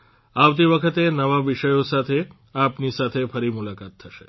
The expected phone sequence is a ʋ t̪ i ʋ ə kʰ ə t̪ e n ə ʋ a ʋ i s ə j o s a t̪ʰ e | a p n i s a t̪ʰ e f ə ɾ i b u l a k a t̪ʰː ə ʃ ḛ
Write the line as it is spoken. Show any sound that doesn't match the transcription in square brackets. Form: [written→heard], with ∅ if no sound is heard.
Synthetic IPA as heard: a ʋ t̪ i ʋ ə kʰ ə t̪ e n ə ʋ a ʋ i [s→ʃ] ə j o s a t̪ʰ e | a p n i s a t̪ʰ e f ə ɾ i [b→m] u l a k a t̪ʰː ə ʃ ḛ